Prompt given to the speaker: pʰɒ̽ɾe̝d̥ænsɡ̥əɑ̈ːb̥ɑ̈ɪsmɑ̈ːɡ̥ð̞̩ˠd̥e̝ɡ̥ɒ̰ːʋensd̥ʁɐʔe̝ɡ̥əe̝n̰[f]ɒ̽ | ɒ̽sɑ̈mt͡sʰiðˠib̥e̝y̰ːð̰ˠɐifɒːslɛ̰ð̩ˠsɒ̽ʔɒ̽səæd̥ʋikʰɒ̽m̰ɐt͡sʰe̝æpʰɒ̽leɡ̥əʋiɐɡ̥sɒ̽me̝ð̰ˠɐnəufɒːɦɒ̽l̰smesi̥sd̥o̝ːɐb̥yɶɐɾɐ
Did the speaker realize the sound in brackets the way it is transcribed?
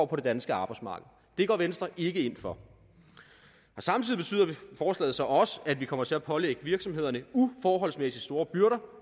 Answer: yes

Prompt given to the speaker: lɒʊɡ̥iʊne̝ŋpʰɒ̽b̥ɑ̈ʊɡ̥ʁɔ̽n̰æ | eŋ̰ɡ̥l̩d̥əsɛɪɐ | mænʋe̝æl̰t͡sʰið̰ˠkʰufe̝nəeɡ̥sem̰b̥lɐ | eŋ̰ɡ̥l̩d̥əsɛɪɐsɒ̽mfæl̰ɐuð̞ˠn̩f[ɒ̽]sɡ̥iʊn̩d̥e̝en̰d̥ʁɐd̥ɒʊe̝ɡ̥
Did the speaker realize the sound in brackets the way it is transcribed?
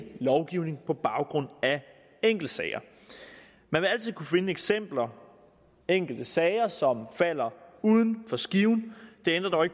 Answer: yes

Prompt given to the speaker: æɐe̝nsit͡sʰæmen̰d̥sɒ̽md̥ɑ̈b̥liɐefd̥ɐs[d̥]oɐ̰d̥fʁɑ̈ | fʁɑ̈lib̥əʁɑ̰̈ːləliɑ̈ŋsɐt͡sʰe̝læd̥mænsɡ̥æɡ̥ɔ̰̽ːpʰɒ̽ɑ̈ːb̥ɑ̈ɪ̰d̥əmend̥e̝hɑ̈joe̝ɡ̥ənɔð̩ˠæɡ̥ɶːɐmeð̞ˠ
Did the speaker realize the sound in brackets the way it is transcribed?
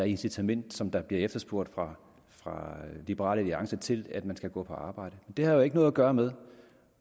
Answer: no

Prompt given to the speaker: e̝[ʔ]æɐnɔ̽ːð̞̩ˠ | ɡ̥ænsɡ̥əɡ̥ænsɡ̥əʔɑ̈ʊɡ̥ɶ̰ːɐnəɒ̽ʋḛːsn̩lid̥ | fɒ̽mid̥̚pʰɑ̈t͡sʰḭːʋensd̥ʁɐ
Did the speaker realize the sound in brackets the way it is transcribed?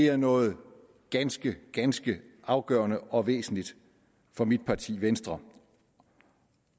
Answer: no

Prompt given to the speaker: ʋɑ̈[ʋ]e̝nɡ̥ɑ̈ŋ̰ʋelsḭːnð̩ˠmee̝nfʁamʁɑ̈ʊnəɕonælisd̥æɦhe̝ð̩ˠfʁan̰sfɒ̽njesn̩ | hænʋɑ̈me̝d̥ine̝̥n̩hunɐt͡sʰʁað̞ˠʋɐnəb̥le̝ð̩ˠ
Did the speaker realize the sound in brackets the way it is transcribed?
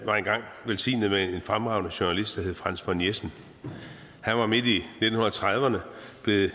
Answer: no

